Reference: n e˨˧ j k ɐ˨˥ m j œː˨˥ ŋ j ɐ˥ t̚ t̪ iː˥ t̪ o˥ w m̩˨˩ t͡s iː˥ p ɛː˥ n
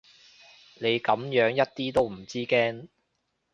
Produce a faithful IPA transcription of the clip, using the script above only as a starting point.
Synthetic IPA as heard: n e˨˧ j k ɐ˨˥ m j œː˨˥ ŋ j ɐ˥ t̚ t̪ iː˥ t̪ o˥ w m̩˨˩ t͡s iː˥ k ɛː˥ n